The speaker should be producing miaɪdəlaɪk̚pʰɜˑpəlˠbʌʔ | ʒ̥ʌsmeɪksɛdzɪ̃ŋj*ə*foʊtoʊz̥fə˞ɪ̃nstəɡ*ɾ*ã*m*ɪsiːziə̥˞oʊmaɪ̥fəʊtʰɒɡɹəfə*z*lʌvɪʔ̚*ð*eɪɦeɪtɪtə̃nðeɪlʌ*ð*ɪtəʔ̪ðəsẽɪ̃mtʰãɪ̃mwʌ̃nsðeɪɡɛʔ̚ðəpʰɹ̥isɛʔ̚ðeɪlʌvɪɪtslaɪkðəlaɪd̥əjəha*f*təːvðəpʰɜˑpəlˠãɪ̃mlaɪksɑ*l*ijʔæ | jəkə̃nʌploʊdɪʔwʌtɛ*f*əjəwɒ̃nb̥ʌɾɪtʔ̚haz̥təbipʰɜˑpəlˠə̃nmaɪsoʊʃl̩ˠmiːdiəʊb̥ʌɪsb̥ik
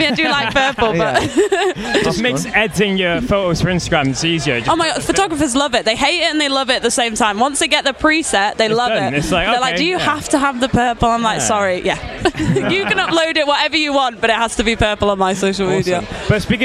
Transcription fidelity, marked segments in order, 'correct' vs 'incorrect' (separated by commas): correct, incorrect, correct, correct, correct, incorrect, correct, incorrect, incorrect